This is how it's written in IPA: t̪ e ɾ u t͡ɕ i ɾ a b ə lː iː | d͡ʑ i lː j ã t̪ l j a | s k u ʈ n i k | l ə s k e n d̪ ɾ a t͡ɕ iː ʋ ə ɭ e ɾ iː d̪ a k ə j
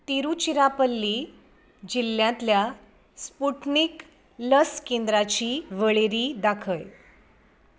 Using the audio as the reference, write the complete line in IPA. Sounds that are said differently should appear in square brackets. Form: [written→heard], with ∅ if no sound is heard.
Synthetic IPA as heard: t̪ [e→i] ɾ u t͡ɕ i ɾ a [b→p] ə lː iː | d͡ʑ i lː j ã t̪ l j a | s [k→p] u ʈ n i k | l ə s k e n d̪ ɾ a t͡ɕ iː ʋ ə ɭ e ɾ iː d̪ a [k→kʰ] ə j